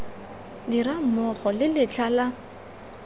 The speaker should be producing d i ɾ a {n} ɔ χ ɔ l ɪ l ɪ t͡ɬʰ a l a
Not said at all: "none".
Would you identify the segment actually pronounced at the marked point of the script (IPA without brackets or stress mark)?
m